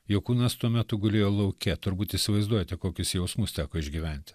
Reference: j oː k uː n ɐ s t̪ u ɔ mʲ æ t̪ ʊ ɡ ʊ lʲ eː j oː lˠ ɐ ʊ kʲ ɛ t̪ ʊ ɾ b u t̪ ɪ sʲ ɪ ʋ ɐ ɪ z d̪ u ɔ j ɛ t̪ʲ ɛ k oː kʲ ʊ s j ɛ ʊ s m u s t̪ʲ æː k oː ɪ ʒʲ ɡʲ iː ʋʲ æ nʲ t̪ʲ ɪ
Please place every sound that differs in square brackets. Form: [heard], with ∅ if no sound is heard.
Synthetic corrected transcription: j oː k uː n ɐ s t̪ u ɔ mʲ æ t̪ ʊ ɡ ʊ lʲ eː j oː lˠ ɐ ʊ kʲ ɛ t̪ ʊ ɾ b [uː] t̪ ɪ sʲ ɪ ʋ ɐ ɪ z d̪ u ɔ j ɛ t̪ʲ ɛ k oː kʲ ʊ s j ɛ ʊ s m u s t̪ʲ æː k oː ɪ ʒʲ ɡʲ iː ʋʲ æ nʲ t̪ʲ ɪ